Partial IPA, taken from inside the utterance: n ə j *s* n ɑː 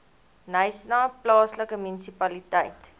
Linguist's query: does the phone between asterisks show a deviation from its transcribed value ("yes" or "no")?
no